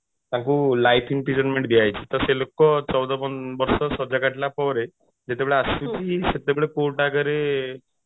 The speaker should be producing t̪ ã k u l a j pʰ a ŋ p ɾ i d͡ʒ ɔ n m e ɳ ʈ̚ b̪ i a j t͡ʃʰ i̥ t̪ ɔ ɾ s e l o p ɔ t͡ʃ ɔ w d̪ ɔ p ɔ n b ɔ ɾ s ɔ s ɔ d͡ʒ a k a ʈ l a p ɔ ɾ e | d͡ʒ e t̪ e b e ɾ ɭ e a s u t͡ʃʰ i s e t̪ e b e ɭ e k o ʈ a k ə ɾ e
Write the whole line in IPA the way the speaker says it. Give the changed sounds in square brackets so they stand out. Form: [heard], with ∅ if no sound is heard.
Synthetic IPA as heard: t̪ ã k u l a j pʰ [i] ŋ p ɾ i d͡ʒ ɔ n m e ɳ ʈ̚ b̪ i a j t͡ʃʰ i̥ t̪ ɔ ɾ s e l o [k] ɔ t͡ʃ ɔ w d̪ ɔ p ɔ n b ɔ ɾ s ɔ s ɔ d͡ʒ a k a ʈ l a p ɔ ɾ e | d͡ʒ e t̪ e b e [∅] ɭ e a s u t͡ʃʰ i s e t̪ e b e ɭ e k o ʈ a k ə ɾ e